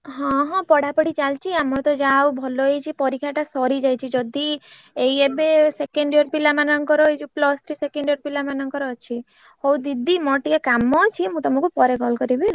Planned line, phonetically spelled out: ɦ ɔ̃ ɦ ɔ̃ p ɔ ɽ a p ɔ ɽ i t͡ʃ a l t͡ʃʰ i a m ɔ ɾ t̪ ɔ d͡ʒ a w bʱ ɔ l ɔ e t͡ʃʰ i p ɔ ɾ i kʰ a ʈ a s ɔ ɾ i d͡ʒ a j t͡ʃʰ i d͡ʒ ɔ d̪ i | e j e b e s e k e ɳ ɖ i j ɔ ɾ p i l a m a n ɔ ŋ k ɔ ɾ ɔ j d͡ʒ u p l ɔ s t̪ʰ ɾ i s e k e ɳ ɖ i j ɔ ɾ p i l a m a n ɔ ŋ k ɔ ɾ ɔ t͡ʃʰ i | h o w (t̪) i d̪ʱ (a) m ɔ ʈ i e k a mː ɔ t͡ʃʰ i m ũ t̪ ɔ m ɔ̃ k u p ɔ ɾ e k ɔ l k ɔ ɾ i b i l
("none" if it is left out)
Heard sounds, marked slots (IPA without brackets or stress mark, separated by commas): d̪, i